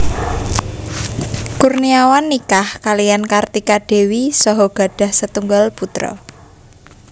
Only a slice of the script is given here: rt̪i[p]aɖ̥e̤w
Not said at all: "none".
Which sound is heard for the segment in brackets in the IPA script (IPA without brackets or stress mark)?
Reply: k